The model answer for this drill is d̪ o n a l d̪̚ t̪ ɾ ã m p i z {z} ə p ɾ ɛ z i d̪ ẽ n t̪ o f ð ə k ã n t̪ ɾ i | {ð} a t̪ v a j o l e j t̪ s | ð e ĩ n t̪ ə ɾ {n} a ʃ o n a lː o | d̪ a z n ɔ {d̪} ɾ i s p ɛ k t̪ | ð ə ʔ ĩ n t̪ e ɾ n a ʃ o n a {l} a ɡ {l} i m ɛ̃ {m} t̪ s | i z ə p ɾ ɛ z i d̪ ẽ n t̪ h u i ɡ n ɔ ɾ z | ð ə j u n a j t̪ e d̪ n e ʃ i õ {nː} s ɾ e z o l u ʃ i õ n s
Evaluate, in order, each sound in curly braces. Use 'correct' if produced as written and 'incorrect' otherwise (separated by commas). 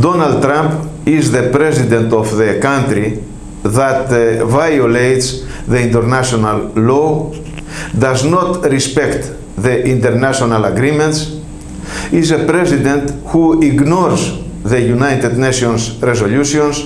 incorrect, correct, correct, incorrect, correct, incorrect, incorrect, incorrect